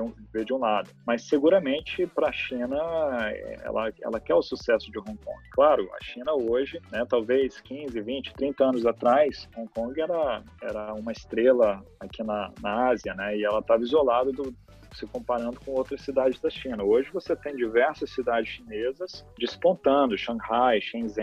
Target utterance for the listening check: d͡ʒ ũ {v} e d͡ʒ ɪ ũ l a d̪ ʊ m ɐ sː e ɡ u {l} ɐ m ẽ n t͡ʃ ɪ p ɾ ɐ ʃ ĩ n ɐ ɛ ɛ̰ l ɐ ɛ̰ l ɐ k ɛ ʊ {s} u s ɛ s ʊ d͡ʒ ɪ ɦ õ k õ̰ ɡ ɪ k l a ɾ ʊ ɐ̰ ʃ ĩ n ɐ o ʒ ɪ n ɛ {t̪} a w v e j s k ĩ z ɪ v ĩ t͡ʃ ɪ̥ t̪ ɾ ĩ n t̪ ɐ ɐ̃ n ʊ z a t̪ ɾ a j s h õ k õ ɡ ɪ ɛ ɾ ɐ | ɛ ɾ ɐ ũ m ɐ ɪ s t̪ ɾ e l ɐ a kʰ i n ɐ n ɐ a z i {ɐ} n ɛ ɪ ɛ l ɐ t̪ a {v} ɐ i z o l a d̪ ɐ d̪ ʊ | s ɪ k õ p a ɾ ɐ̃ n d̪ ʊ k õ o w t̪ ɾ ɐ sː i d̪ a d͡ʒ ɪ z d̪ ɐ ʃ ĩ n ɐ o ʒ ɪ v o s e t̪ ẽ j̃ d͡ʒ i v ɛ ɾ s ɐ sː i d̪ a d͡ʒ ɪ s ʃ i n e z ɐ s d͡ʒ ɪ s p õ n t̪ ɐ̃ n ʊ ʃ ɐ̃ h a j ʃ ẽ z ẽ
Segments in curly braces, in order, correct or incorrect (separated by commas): correct, incorrect, correct, correct, correct, correct